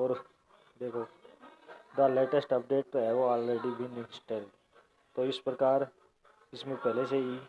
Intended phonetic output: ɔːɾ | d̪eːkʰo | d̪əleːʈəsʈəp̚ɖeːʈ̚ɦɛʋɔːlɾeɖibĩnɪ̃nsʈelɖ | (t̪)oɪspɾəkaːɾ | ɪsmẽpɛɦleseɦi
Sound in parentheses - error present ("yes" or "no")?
no